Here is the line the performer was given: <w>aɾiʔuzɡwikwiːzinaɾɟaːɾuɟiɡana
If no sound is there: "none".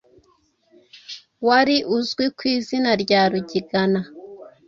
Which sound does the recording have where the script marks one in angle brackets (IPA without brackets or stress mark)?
w